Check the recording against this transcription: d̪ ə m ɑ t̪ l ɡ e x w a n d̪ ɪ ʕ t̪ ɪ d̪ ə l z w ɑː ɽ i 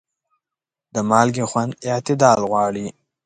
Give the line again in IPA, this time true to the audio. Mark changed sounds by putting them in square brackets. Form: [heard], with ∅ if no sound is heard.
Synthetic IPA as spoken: d̪ ə m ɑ [∅] l ɡ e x w a n d̪ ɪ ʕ t̪ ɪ d̪ [ɑ] l [ɣ] w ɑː ɽ i